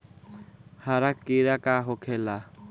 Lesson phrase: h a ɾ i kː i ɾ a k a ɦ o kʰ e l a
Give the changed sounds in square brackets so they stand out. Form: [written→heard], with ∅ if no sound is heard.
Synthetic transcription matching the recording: h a ɾ [i→a] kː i ɾ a k a ɦ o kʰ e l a